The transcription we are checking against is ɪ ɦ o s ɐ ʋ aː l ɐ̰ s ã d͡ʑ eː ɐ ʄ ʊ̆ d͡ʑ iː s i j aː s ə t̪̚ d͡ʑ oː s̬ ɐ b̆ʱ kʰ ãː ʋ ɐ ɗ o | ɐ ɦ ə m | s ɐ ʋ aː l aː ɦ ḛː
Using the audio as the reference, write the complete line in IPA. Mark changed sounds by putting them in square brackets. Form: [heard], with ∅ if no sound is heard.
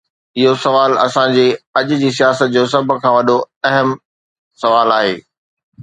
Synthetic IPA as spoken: ɪ ɦ o s ɐ ʋ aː l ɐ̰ s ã d͡ʑ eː ɐ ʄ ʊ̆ d͡ʑ iː s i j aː s ə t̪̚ d͡ʑ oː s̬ ɐ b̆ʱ kʰ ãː ʋ ɐ ɗ o | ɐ ɦ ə m | s ɐ ʋ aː l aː ɦ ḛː